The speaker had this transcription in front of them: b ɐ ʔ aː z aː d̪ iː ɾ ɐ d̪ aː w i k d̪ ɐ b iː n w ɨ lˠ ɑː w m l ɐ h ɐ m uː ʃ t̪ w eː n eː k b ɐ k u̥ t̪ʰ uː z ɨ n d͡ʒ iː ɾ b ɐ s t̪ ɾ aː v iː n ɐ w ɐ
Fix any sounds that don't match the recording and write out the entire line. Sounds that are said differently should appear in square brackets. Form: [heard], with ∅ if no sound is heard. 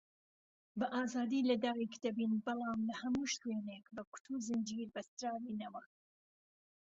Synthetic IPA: b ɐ ʔ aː z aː d̪ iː [l] ɐ d̪ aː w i k d̪ ɐ b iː n [b] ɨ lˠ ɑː [∅] m l ɐ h ɐ m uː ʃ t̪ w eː n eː k b ɐ k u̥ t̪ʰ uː z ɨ n d͡ʒ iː ɾ b ɐ s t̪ ɾ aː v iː n ɐ w ɐ